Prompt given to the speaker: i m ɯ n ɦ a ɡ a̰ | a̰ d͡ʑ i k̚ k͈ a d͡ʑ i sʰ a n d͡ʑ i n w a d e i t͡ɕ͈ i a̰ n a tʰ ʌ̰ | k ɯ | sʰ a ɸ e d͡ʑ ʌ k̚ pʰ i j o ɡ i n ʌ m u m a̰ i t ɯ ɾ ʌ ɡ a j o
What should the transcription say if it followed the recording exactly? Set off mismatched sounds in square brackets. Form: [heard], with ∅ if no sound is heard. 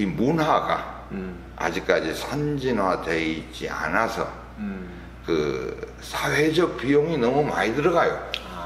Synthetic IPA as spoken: i m [u] n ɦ a ɡ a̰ | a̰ d͡ʑ i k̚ k͈ a d͡ʑ i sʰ a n d͡ʑ i n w a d e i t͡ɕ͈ i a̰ n a [sʰ] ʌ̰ | k ɯ | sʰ a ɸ e d͡ʑ ʌ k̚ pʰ i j o [ŋ] i n ʌ m u m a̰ i [d] ɯ ɾ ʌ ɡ a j o